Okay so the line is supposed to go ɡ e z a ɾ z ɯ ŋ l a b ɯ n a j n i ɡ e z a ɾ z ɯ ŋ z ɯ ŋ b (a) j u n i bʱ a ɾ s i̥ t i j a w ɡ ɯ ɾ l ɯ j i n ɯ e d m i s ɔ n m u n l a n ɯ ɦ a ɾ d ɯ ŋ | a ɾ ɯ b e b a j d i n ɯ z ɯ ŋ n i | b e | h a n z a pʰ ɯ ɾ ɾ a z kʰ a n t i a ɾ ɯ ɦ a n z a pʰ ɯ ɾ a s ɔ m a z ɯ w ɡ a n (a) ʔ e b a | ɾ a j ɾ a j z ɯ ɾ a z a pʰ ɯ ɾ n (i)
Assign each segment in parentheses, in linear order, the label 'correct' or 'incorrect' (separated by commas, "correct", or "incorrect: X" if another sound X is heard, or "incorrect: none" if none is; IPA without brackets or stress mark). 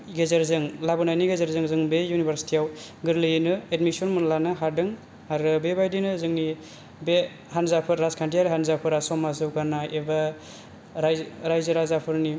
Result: incorrect: e, correct, correct